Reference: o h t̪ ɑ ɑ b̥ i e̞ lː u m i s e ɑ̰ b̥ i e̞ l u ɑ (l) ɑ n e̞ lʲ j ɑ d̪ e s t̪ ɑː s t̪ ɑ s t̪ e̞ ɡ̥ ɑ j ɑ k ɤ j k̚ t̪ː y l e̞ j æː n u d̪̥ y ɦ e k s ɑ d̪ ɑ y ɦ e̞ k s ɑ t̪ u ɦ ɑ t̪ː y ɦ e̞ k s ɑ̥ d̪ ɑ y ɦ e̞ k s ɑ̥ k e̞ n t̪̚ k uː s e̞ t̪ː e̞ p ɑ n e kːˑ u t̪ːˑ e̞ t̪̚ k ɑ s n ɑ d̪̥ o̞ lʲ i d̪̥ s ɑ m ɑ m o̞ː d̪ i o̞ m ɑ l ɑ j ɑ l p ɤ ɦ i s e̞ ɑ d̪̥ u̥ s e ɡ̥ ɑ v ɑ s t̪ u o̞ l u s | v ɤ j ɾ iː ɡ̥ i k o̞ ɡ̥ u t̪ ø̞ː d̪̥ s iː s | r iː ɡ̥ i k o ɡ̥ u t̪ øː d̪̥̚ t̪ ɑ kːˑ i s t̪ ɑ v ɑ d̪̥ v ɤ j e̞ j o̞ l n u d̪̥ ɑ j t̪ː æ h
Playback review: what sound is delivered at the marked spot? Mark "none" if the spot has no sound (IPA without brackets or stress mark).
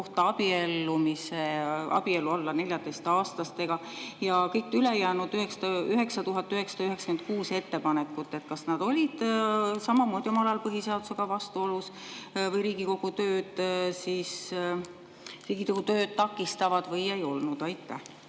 lː